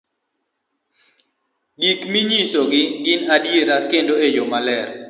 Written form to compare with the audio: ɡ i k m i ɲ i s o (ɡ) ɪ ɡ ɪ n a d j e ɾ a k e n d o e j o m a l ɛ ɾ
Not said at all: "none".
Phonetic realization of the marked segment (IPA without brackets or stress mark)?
ɡ